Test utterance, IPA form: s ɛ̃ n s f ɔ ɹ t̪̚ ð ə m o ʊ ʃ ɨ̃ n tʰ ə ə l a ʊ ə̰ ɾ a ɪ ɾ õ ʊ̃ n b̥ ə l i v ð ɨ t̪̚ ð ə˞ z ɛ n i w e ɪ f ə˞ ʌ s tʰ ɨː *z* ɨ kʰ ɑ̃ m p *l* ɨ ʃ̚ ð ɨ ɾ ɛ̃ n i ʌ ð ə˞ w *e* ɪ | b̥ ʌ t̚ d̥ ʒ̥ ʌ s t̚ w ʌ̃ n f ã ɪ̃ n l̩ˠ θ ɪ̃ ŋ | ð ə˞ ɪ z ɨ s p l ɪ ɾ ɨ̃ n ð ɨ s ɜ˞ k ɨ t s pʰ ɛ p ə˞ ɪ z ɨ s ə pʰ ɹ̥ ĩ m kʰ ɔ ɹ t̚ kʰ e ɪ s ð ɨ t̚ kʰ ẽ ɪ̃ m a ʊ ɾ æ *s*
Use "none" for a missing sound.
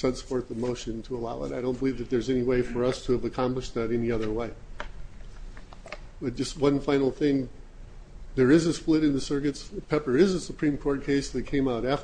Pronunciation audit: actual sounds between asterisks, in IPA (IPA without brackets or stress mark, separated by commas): v, l, e, f